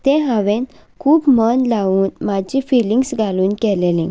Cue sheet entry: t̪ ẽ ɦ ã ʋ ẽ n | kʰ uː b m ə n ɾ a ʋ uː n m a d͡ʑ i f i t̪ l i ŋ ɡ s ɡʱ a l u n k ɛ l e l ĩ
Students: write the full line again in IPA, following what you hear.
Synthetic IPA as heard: t̪ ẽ ɦ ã ʋ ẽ n | kʰ uː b m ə n l a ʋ uː n m a d͡ʑ i f i l i ŋ ɡ s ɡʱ a l uː n k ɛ l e l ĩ